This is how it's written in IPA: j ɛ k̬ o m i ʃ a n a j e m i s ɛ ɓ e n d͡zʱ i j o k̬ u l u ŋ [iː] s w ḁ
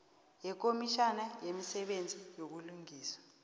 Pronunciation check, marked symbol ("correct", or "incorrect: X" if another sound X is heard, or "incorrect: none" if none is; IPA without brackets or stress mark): correct